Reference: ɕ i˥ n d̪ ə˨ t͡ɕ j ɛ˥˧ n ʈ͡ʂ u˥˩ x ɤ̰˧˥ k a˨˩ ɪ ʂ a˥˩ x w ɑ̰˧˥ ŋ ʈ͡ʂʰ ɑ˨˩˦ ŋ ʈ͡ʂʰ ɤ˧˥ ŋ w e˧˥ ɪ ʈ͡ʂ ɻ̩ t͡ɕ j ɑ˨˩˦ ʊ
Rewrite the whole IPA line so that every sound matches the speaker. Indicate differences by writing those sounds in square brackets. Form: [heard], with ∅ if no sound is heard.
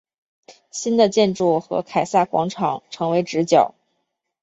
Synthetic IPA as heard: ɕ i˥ n d̪ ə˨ t͡ɕ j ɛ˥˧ n ʈ͡ʂ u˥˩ x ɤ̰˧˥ [kʰ] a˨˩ ɪ [s] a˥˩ [k] w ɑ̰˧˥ ŋ ʈ͡ʂʰ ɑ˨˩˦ ŋ ʈ͡ʂʰ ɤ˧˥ ŋ w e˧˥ ɪ ʈ͡ʂ ɻ̩ t͡ɕ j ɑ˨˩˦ ʊ